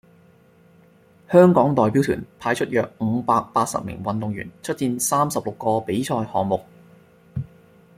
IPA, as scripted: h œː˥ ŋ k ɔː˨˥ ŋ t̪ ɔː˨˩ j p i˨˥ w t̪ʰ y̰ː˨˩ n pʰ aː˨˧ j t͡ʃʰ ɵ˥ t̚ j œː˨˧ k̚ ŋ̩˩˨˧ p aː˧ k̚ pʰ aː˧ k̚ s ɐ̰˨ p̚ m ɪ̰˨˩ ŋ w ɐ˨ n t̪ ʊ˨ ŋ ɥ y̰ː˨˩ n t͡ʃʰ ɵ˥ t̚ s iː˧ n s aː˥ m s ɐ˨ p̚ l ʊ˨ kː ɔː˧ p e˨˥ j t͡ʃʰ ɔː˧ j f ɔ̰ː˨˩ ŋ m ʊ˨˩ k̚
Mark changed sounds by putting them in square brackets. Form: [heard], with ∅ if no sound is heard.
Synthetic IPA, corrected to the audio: h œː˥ ŋ k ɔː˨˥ ŋ t̪ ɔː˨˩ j p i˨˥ w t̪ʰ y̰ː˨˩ n pʰ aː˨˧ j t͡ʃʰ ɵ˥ t̚ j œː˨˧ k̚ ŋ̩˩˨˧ p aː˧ k̚ [p] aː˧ [t̚] s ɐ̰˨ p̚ m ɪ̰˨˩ ŋ w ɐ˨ n t̪ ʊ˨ ŋ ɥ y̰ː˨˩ n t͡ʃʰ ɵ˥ t̚ [t͡s] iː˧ n s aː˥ m s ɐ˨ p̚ l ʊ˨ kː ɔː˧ p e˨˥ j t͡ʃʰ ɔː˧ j [h] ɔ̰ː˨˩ ŋ m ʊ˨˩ k̚